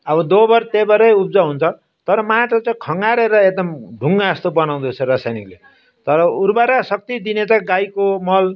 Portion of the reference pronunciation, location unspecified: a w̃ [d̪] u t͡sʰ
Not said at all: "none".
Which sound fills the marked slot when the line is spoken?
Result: d̪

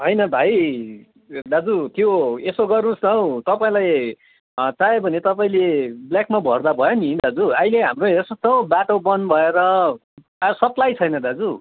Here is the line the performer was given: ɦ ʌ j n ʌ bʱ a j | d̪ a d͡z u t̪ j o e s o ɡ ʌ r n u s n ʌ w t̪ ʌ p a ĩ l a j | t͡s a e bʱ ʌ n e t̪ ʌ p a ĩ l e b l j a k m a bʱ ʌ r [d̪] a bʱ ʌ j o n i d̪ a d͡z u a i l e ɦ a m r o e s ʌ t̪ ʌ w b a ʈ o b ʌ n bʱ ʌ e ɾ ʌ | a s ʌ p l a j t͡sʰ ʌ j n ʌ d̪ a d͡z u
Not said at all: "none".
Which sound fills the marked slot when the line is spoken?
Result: d̪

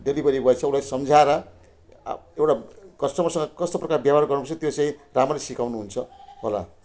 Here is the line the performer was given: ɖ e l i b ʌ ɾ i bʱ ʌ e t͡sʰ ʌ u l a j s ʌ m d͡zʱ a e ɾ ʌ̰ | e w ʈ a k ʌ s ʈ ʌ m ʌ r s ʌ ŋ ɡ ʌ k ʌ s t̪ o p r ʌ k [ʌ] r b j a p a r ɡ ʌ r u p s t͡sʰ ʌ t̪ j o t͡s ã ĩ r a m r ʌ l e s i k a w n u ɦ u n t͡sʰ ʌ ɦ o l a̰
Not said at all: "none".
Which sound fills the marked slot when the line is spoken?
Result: a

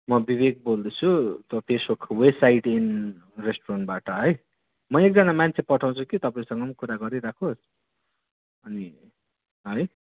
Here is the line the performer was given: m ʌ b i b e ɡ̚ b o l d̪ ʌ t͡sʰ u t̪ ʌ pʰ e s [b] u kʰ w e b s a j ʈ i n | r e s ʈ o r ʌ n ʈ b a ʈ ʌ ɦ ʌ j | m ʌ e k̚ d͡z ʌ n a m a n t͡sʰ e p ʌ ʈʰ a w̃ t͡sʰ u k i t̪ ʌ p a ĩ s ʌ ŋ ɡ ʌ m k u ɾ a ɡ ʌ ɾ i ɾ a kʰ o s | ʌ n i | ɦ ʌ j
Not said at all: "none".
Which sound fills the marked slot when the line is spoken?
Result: b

